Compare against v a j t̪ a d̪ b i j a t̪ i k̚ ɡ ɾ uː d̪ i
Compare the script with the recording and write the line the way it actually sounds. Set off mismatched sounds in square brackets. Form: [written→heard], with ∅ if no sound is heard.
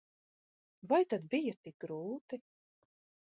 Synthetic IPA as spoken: v a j t̪ a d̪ b i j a t̪ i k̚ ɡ ɾ uː [d̪→t̪] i